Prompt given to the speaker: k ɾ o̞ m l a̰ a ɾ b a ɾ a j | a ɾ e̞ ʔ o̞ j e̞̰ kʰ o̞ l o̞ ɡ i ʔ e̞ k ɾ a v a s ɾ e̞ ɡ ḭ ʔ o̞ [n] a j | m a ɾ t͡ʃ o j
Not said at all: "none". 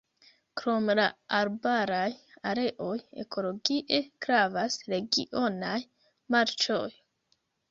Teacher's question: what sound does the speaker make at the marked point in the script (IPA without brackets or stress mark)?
n